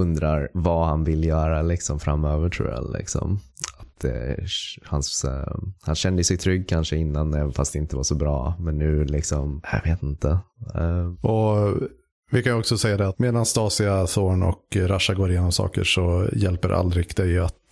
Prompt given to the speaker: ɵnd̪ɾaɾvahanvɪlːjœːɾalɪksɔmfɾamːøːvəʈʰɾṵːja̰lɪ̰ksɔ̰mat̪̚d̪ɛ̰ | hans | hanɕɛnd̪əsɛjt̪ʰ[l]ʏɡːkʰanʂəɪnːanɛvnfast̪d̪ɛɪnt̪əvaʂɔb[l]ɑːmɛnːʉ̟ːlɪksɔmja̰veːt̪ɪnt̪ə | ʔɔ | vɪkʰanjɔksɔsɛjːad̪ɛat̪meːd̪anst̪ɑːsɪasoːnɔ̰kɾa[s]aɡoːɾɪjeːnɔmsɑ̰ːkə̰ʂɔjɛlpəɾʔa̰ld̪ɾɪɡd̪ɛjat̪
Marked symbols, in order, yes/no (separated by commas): no, no, no